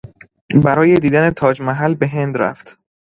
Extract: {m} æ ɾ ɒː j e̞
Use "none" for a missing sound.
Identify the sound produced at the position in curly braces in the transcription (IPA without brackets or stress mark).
b